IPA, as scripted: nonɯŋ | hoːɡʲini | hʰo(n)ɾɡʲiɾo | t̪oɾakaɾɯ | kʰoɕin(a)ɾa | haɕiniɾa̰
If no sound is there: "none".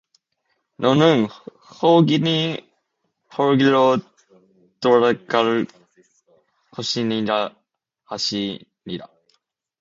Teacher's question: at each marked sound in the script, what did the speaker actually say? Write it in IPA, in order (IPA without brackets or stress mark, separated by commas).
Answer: none, i